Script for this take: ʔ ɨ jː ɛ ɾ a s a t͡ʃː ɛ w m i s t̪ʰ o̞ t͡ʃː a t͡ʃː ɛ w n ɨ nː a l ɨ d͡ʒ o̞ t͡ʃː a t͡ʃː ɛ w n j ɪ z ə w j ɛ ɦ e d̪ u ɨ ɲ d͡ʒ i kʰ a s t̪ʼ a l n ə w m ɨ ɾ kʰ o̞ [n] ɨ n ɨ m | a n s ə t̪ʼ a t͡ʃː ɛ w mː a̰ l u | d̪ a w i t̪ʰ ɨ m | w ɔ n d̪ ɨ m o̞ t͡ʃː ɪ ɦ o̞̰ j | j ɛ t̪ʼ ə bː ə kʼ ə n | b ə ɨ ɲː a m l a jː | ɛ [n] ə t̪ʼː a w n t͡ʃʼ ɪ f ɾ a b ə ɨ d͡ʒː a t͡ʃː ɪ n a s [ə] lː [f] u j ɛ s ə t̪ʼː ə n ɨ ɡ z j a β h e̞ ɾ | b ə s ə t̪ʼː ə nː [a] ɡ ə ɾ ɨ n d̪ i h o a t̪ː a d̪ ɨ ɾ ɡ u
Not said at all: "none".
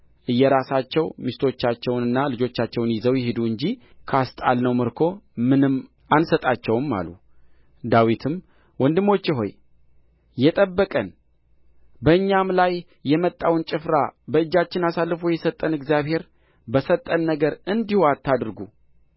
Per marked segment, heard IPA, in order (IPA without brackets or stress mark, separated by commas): m, m, a, f, ə